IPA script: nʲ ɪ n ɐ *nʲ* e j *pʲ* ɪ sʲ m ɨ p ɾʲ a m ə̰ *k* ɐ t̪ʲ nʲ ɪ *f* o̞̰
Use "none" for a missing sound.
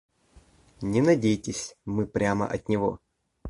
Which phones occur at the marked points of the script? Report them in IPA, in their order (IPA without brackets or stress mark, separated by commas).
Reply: dʲ, tʲ, ʔ, v